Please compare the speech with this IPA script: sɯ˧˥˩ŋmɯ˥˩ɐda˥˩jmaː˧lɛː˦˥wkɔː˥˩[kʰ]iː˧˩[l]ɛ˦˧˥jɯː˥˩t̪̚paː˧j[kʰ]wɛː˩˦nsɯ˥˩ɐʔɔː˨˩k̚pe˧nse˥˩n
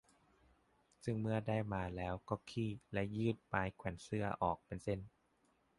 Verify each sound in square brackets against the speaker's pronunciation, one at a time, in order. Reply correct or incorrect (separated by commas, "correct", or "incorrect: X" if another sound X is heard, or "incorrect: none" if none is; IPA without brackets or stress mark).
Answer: correct, correct, correct